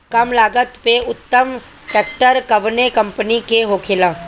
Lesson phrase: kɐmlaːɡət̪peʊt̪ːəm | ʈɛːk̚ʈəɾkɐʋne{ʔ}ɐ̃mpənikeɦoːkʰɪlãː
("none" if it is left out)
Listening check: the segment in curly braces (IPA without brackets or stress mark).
k